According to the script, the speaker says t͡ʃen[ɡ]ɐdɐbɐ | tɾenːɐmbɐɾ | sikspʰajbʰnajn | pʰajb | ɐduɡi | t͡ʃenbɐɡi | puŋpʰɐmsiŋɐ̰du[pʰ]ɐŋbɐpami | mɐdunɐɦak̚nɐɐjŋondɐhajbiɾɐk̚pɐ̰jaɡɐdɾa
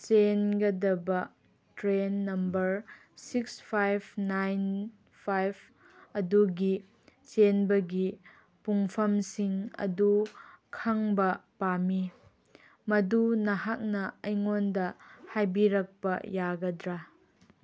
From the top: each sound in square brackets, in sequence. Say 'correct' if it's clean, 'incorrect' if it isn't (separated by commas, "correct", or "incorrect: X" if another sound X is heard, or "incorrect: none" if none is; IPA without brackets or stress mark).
correct, incorrect: kʰ